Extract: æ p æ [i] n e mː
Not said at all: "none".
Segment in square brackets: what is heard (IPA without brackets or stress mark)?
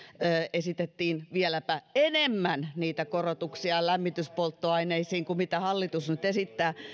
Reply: e